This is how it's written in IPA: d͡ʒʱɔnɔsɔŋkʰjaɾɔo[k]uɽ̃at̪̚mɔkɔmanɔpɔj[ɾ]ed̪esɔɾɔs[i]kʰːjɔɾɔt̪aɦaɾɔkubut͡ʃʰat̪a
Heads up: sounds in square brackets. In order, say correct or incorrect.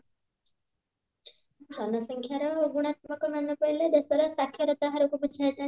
incorrect: ɡ, incorrect: l, incorrect: a

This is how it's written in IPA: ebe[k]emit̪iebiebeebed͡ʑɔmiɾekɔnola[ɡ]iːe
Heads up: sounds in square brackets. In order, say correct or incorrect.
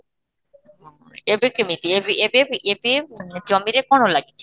correct, correct

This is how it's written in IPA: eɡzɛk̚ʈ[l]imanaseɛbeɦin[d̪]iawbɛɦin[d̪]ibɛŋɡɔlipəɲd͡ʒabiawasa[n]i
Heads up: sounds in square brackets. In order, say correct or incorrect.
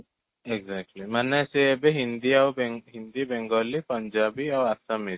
correct, correct, correct, incorrect: m

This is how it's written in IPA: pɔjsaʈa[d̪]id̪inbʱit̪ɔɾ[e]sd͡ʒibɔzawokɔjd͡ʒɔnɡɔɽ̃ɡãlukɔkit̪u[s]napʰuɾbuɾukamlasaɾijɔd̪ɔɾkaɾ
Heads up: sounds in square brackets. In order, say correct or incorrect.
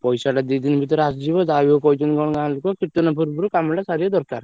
correct, incorrect: a, incorrect: none

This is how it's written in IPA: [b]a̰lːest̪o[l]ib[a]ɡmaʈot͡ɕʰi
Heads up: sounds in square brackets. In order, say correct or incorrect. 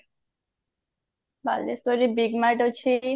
correct, incorrect: ɾ, incorrect: i

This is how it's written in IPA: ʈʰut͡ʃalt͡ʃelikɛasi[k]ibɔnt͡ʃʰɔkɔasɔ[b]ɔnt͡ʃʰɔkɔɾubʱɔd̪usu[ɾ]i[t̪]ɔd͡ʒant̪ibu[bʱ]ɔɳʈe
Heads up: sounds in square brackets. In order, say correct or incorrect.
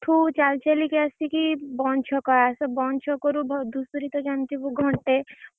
correct, correct, correct, correct, incorrect: ɡʱ

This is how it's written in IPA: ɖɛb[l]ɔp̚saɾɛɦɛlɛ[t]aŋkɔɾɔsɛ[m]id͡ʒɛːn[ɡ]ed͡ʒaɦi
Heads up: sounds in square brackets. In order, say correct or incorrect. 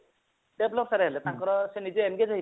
correct, correct, incorrect: n, correct

